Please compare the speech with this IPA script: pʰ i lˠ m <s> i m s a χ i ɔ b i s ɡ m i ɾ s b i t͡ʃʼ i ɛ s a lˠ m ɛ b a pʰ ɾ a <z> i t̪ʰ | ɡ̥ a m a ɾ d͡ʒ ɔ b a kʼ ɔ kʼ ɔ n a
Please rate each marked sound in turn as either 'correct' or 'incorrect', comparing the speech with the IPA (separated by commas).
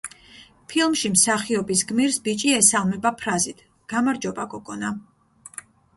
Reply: incorrect, correct